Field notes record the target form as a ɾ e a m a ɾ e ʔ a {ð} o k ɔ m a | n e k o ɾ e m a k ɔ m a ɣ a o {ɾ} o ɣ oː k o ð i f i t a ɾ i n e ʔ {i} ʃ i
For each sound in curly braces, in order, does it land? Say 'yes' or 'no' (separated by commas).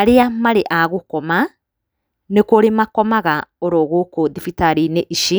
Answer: no, yes, yes